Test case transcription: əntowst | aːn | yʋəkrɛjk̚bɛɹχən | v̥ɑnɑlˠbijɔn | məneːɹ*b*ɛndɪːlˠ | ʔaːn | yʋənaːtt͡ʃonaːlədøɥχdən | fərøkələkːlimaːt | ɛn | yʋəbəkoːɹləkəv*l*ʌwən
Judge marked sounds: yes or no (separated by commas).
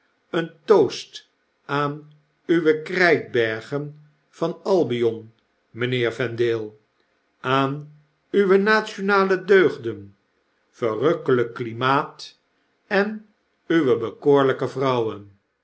no, no